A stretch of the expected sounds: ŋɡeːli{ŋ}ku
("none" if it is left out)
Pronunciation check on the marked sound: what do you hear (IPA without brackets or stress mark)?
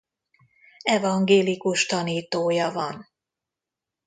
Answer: none